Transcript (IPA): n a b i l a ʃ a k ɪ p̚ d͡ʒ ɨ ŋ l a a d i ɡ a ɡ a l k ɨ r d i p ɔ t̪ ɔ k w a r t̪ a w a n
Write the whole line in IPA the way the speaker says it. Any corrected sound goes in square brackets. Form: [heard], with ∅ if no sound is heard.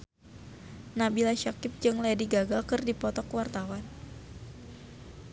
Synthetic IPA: n a b i l a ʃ a k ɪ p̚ d͡ʒ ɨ ŋ l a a d i ɡ a ɡ a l k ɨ r d i p ɔ t̪ ɔ k w a r t̪ a w a n